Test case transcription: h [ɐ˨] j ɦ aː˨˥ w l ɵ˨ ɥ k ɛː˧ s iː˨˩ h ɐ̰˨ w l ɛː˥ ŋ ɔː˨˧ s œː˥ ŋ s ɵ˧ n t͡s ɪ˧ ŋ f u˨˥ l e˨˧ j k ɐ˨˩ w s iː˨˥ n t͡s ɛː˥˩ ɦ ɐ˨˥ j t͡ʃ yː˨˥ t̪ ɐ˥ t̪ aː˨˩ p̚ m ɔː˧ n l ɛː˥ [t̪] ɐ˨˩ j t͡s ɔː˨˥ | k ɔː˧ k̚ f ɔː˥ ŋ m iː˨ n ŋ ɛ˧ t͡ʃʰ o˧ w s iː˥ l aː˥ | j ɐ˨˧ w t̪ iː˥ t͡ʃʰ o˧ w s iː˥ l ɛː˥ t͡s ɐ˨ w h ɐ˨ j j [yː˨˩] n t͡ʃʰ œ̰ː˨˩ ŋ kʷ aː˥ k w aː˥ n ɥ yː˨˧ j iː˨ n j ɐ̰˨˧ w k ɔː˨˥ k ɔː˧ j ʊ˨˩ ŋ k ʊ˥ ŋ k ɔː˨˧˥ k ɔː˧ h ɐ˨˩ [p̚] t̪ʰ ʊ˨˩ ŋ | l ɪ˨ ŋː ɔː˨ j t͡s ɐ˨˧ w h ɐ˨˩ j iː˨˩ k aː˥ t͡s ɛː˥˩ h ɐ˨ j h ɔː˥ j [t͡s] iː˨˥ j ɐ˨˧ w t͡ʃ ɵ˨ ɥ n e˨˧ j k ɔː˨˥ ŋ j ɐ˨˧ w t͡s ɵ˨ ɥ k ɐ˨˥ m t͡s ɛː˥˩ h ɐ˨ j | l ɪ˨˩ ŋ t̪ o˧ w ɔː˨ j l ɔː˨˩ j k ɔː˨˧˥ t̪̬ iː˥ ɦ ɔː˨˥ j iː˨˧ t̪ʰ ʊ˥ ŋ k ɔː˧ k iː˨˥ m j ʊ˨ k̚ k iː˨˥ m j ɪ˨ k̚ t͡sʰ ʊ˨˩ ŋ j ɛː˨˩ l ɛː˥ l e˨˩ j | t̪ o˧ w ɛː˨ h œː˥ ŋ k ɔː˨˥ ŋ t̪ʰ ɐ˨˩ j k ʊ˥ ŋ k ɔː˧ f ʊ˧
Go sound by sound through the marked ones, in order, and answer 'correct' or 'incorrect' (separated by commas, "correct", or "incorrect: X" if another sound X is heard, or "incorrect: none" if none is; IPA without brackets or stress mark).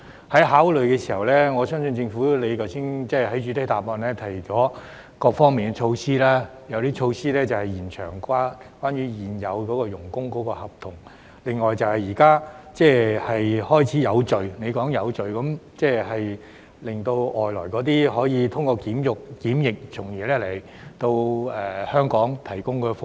incorrect: ɐ˨˥, incorrect: t̪ʰ, incorrect: iː˨˩, correct, incorrect: t͡sʰ